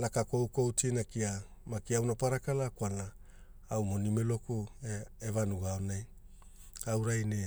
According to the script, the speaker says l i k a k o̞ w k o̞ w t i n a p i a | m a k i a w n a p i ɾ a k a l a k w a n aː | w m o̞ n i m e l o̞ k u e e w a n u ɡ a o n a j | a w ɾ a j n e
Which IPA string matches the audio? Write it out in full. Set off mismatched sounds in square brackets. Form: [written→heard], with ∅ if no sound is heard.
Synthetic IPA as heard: l [i→a] k a k o̞ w k o̞ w t i n a [p→k] i a | m a k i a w n a p [i→a] ɾ a k a l a k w a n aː | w m o̞ n i m e l o̞ k u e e [w→v] a n u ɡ a o n a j | a w ɾ a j n e

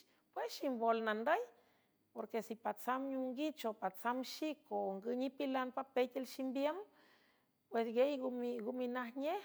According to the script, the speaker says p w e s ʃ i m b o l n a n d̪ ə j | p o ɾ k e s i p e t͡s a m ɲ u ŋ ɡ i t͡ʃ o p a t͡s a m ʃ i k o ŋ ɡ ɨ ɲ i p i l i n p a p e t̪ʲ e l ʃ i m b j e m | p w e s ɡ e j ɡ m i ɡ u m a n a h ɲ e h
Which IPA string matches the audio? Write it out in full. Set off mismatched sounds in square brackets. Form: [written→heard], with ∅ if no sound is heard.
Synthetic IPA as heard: p w e s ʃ i m b o l n a n d̪ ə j | p o ɾ k e s i p [e→a] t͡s a m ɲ u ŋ ɡ i t͡ʃ o p a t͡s a m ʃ i k o ŋ ɡ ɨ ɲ i p i l [i→a] n p a p e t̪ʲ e l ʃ i m b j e m | p w e s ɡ e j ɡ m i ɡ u m [a→i] n a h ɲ e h

